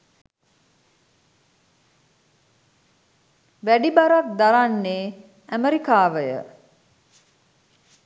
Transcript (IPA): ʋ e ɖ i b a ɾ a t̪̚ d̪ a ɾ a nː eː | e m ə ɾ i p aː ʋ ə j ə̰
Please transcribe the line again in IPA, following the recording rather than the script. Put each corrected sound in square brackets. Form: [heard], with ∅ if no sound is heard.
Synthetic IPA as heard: ʋ [æ] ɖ i b a ɾ a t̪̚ d̪ a ɾ a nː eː | [æ] m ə ɾ i [k] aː ʋ ə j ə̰

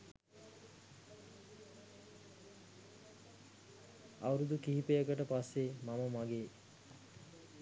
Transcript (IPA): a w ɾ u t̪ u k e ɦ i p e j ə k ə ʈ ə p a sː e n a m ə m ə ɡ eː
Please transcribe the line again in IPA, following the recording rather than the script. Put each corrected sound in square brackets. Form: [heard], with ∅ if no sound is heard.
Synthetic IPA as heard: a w ɾ u [d̪] u k [i] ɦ i p e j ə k ə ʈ ə p a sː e [m] a m ə m [a] ɡ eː

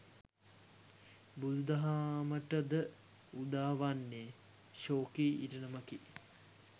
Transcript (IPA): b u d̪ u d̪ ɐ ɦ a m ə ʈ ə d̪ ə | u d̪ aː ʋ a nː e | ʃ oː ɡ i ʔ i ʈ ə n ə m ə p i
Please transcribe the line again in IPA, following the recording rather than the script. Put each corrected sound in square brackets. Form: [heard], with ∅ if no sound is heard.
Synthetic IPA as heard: b u d̪ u d̪ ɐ ɦ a m ə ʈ ə d̪ ə | u d̪ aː ʋ a nː e | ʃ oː [k] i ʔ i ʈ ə n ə m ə [k] i

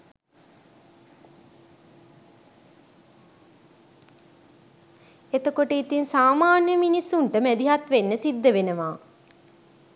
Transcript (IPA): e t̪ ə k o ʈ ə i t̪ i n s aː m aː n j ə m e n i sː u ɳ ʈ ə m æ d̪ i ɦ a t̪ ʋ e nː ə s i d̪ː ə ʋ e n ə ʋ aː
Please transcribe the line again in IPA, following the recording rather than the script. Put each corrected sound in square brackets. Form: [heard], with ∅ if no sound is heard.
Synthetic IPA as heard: e t̪ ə k o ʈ ə i t̪ i n s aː m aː n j ə m [i] n i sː u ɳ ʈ ə m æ d̪ i ɦ a t̪ ʋ e nː ə s i d̪ː ə ʋ e n ə ʋ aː

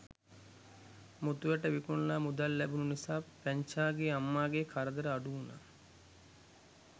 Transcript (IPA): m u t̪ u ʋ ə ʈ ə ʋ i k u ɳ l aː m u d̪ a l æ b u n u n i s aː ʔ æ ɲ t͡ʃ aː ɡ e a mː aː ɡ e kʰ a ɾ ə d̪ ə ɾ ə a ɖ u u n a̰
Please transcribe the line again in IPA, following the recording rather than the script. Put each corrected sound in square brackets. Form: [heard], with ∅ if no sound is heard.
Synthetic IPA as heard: m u t̪ u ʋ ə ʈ ə ʋ i k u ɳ l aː m u d̪ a [lː] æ b u n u n i s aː [p] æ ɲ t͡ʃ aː ɡ e a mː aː ɡ e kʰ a ɾ ə d̪ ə ɾ ə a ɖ u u n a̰

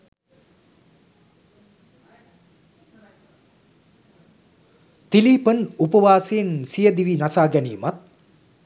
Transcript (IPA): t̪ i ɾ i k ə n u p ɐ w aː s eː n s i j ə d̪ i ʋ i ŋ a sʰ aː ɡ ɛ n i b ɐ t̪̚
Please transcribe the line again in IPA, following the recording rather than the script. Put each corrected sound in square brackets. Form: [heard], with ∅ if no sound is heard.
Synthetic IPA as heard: t̪ i [l] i [p] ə n u p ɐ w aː s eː n s i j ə d̪ i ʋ i [n] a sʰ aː ɡ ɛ n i [m] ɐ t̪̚

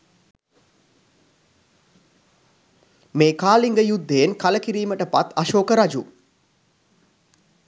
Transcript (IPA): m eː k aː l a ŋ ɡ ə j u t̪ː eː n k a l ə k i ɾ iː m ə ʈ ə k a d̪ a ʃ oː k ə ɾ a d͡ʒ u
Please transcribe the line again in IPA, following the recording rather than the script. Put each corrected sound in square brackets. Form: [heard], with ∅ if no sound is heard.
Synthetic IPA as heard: m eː k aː l [i] ŋ ɡ ə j u [d̪ː] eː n k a l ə k i ɾ iː m ə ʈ ə [p] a [t̪] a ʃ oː k ə ɾ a d͡ʒ u

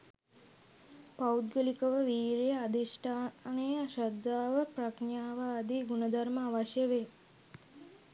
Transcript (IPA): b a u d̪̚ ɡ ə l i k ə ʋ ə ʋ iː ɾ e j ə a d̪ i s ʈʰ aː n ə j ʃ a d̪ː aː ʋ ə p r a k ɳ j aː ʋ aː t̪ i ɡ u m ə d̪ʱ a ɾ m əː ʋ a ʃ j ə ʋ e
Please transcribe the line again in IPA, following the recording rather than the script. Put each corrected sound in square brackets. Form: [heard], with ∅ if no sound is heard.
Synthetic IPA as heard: [p] a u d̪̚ ɡ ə l i k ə ʋ ə ʋ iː ɾ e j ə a d̪ i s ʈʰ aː n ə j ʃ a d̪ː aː ʋ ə p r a k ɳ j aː ʋ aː [d̪] i ɡ u [n] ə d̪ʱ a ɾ m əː ʋ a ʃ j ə ʋ e

